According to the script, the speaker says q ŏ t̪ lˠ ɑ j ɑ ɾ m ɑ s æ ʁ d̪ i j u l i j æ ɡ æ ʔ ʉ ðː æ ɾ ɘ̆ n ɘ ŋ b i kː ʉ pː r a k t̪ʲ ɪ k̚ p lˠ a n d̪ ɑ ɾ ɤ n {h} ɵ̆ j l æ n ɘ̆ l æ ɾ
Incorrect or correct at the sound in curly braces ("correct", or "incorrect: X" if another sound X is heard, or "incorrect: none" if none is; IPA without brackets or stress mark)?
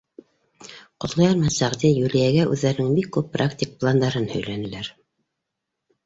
correct